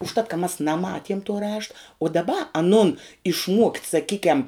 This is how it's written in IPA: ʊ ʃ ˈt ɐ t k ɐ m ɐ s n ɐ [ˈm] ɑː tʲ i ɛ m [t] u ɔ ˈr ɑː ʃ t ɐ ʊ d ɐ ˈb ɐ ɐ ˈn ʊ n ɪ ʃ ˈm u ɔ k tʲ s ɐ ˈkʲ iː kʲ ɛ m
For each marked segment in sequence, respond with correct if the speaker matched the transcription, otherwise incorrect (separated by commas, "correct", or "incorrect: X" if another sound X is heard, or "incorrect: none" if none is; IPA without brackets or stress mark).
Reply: correct, correct